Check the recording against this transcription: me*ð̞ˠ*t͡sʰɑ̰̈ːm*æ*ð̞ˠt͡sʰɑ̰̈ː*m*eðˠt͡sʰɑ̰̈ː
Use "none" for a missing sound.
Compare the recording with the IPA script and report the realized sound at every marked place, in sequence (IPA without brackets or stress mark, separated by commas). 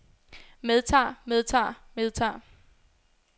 ð̞ˠ, e, m